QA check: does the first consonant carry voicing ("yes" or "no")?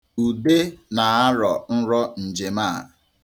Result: yes